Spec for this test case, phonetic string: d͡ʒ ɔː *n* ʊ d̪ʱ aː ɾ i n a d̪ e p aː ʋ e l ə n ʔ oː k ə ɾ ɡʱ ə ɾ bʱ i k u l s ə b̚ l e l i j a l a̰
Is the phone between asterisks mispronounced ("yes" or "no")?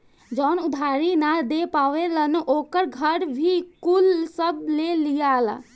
no